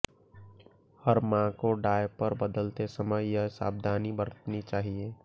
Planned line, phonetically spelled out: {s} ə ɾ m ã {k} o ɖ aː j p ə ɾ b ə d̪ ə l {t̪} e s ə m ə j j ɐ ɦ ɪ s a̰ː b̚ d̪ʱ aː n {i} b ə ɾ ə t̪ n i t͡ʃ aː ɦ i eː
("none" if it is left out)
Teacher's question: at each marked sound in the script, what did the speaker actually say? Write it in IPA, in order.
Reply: h, k, t̪, i

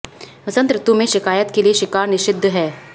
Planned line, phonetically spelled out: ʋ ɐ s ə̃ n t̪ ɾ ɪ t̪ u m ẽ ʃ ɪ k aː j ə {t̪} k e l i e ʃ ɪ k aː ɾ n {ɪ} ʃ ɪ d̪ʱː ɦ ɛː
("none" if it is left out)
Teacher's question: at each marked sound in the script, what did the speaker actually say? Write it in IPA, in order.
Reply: t̪, ɪ

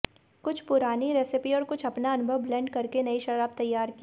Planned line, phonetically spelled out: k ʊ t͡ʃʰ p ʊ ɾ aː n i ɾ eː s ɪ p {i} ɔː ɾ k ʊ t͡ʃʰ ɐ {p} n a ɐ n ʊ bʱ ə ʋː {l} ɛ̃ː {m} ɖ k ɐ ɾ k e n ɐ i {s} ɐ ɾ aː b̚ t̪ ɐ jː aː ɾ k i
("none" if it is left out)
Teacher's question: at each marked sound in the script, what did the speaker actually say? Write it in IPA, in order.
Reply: i, p, l, ɳ, ʃ

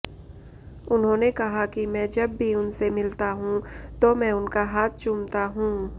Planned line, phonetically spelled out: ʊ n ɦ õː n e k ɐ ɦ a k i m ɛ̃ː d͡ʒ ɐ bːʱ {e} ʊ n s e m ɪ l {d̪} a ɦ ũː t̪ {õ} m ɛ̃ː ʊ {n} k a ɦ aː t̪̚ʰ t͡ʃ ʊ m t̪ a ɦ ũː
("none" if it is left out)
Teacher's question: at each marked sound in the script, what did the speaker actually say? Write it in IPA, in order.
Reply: i, t̪, o, n

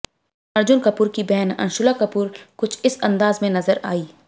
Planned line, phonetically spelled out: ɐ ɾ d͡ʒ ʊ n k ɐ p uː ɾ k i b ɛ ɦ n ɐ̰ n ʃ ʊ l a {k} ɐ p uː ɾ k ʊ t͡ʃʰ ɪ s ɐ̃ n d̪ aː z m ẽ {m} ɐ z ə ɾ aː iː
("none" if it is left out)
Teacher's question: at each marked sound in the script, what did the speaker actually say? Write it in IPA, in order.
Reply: k, n

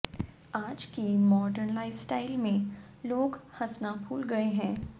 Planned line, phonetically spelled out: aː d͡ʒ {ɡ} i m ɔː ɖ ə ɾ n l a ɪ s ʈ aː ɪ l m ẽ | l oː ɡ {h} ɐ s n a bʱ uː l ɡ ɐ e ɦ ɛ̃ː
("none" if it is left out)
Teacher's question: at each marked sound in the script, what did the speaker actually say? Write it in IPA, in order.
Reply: k, h

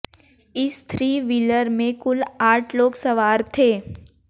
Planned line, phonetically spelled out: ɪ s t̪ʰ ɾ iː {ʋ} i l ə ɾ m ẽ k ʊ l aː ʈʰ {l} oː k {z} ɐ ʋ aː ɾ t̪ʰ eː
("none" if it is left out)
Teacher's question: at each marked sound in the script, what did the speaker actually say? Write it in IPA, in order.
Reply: ʋ, l, s

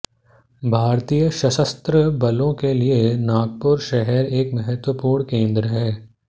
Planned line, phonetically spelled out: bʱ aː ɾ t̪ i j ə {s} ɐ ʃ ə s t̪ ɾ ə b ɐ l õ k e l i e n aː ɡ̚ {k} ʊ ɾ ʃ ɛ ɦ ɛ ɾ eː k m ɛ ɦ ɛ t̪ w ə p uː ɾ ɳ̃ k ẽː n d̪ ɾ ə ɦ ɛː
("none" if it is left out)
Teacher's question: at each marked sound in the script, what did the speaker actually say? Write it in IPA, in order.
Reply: ʃ, p

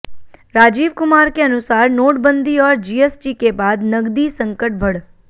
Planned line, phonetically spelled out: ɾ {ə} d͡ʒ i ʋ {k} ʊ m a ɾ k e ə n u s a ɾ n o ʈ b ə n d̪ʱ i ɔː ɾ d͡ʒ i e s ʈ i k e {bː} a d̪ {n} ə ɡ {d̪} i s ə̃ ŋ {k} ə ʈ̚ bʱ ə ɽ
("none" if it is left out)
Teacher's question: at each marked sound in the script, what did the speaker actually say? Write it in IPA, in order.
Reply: a, k, b, n, d̪, k

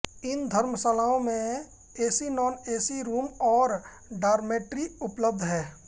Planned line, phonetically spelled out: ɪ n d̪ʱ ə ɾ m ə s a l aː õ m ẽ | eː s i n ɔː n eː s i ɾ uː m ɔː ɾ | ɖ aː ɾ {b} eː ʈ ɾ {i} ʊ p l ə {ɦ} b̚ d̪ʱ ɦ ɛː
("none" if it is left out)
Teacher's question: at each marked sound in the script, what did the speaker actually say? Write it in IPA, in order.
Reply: m, i, none

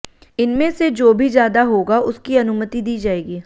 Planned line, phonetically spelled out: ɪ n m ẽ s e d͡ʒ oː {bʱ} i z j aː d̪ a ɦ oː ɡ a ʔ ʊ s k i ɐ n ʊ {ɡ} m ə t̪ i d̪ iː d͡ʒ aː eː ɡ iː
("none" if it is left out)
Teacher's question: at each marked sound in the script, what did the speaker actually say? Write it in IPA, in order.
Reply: bʱ, none

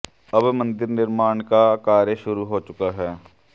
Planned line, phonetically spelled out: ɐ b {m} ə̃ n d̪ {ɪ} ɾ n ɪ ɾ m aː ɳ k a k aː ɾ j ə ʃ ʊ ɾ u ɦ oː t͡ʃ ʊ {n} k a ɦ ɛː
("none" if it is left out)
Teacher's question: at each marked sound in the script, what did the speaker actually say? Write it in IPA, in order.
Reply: m, ɪ, none

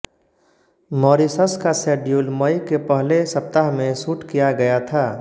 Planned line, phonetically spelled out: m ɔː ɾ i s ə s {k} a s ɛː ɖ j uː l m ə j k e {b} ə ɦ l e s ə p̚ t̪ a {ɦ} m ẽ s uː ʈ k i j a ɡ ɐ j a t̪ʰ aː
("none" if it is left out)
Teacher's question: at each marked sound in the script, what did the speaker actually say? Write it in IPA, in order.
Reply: k, p, ɦ

